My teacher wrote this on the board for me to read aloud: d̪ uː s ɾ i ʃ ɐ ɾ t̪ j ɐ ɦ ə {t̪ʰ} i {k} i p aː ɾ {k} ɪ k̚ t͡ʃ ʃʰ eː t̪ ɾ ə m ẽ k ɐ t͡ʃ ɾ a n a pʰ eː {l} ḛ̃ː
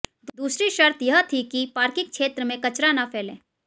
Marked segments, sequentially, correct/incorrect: correct, correct, correct, correct

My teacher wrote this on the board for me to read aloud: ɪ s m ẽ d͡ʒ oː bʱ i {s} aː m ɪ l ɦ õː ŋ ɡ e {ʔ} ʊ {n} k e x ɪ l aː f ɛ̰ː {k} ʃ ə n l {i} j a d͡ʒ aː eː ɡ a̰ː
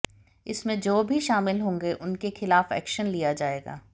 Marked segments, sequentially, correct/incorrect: incorrect: ʃ, correct, correct, correct, correct

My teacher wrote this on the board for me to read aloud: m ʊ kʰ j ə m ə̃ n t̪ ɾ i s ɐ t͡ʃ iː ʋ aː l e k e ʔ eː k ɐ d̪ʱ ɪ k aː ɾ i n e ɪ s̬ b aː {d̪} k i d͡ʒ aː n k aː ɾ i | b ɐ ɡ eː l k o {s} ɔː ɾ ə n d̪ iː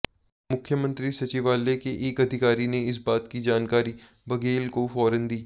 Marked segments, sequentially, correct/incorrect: incorrect: t̪, incorrect: f

